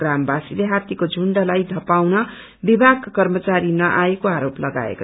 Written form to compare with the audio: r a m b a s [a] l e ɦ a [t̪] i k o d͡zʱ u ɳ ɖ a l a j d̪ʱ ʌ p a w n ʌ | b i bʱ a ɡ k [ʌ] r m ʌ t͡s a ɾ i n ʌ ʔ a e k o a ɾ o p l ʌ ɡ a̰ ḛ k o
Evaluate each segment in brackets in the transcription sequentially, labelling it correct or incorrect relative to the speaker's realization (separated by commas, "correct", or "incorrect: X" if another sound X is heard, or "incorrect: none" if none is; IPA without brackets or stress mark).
incorrect: i, correct, correct